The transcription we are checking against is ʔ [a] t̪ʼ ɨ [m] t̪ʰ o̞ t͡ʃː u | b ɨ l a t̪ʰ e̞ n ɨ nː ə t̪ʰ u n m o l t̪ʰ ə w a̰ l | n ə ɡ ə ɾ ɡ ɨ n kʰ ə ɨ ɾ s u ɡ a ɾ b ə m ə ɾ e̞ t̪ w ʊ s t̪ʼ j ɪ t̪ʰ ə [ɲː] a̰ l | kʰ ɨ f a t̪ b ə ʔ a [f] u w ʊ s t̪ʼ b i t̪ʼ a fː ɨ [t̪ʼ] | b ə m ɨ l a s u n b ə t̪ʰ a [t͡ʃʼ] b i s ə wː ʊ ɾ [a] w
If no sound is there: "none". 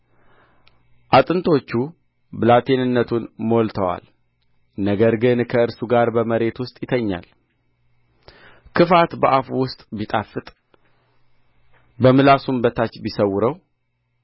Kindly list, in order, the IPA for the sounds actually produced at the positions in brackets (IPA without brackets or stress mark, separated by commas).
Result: a, n, ɲː, f, t̪ʼ, t͡ʃ, ə